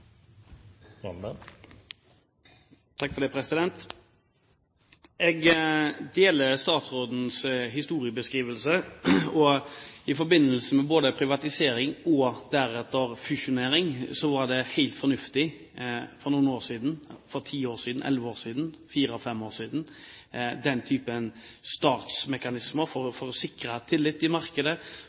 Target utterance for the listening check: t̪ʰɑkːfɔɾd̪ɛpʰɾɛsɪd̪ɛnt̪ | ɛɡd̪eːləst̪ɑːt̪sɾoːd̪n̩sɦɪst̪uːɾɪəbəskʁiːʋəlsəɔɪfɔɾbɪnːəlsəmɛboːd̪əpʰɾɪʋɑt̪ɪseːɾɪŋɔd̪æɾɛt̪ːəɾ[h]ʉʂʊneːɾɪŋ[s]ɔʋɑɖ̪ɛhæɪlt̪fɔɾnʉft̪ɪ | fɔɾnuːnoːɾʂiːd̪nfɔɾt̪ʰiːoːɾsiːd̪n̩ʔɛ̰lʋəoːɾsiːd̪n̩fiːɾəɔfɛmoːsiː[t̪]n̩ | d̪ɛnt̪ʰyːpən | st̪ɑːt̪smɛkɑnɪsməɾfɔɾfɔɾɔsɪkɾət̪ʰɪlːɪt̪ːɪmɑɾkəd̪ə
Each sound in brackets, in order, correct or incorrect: incorrect, correct, incorrect

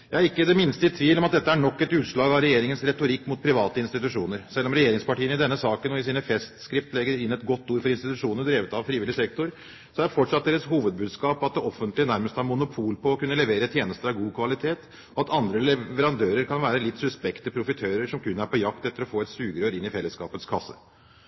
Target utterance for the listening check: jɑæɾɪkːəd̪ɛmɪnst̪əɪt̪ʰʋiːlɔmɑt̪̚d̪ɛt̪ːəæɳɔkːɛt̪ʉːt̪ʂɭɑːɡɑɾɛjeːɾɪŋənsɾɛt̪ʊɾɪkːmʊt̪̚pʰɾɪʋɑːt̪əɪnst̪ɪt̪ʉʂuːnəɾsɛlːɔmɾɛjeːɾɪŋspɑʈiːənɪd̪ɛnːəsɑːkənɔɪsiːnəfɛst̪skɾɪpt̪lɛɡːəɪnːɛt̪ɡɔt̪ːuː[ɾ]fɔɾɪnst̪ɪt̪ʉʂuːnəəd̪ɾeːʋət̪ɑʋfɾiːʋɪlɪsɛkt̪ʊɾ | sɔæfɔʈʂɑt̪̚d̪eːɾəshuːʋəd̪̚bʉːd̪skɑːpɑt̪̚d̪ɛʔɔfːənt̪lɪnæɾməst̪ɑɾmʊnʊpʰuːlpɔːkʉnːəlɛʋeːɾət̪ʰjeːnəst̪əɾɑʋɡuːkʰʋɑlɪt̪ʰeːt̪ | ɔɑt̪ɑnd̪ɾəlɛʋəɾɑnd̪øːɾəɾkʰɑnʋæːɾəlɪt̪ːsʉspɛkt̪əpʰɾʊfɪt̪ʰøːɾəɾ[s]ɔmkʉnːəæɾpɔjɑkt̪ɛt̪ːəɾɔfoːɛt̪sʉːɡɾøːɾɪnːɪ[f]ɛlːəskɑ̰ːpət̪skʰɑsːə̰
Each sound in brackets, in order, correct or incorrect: correct, incorrect, correct

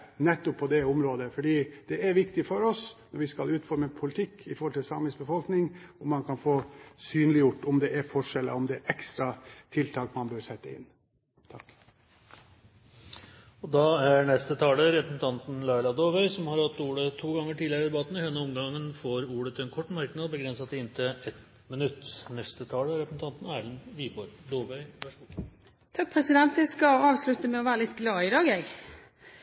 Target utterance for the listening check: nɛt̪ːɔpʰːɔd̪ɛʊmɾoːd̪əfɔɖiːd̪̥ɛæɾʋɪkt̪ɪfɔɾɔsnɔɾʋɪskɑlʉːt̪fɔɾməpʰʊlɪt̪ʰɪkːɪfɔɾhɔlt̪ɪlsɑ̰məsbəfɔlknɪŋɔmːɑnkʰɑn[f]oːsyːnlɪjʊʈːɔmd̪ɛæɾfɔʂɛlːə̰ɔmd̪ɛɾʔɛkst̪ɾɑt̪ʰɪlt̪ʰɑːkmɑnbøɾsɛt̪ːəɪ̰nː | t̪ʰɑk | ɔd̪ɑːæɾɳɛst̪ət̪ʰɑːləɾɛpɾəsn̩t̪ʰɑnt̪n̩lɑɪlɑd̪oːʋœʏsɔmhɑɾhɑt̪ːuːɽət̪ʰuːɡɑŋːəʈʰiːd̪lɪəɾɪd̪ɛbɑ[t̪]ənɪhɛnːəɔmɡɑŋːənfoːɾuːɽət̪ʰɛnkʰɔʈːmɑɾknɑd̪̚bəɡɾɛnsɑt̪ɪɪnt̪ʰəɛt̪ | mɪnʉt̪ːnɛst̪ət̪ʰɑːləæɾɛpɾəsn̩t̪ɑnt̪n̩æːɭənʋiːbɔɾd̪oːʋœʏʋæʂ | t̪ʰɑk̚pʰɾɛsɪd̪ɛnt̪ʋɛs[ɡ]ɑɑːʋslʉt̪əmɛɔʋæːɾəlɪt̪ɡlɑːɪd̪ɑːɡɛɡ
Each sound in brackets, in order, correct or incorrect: correct, correct, incorrect

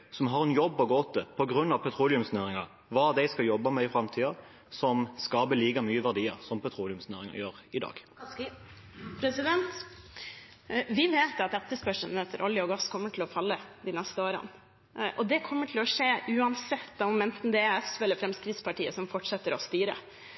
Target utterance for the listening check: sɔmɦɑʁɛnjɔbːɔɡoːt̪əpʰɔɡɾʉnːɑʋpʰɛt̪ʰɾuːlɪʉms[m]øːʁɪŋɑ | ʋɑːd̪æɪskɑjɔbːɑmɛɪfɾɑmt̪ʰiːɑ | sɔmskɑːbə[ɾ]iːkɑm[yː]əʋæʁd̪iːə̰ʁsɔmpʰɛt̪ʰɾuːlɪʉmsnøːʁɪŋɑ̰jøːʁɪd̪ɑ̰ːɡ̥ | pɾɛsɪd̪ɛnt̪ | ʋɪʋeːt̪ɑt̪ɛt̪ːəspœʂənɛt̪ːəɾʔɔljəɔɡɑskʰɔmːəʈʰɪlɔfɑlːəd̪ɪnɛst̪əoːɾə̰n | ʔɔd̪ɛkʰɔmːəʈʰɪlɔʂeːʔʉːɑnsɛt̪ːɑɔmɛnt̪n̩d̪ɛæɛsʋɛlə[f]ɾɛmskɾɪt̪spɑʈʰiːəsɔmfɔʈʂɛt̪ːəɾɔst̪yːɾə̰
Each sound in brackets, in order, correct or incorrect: incorrect, incorrect, correct, correct

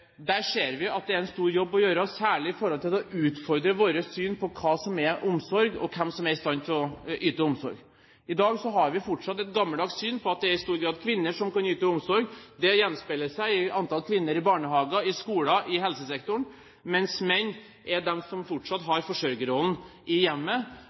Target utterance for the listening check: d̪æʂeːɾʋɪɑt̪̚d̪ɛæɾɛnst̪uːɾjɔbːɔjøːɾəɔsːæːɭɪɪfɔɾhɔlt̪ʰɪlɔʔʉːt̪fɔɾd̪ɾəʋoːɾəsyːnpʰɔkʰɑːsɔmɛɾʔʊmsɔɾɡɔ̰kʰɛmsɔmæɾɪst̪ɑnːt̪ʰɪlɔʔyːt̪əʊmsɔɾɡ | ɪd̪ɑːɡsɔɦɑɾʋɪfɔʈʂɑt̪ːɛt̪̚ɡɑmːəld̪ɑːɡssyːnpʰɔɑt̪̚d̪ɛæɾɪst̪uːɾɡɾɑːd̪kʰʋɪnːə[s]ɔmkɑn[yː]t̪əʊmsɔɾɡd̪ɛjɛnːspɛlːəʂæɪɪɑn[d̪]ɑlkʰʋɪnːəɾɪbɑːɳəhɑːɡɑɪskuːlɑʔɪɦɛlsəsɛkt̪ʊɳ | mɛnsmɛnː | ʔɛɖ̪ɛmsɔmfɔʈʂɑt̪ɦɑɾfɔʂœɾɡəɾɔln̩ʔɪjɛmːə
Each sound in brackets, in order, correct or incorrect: incorrect, correct, incorrect

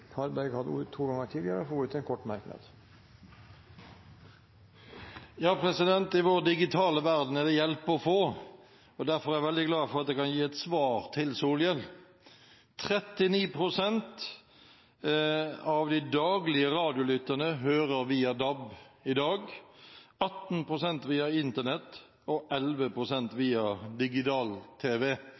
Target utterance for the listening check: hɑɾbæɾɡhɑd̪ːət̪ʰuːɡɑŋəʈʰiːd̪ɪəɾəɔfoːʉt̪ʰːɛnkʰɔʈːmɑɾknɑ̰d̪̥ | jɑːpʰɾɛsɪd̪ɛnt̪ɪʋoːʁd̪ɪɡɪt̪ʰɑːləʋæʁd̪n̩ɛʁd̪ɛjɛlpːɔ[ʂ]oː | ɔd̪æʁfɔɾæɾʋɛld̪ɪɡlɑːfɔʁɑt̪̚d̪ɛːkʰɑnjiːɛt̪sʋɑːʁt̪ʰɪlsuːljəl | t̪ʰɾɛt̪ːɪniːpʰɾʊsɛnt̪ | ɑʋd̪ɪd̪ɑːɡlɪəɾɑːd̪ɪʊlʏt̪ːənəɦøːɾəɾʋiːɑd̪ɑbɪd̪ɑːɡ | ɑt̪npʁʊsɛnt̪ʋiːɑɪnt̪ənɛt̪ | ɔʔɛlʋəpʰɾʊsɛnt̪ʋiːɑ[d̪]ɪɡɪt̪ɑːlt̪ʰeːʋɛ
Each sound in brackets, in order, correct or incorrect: incorrect, correct

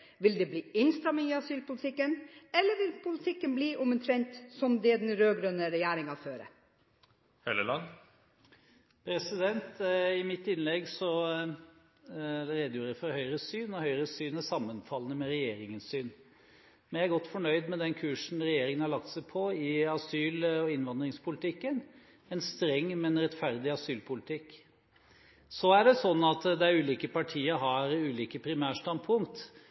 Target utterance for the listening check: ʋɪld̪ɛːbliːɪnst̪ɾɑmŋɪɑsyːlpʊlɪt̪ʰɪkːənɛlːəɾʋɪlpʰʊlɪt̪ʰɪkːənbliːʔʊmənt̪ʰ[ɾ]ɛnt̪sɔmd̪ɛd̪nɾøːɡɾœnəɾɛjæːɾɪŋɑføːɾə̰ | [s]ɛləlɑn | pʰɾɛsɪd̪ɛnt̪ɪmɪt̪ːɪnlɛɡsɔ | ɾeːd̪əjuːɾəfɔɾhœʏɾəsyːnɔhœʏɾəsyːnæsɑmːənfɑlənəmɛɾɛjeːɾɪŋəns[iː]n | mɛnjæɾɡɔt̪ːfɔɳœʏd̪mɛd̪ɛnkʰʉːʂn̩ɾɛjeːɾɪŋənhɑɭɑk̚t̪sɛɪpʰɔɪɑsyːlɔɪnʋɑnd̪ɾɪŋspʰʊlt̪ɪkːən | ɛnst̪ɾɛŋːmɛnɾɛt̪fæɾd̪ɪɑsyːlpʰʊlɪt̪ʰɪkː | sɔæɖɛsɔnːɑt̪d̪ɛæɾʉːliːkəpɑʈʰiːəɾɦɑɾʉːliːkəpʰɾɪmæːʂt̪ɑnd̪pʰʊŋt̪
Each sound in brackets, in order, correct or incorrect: correct, incorrect, incorrect

